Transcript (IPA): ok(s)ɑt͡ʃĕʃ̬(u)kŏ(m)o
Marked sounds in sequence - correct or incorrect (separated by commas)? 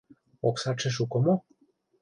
correct, correct, correct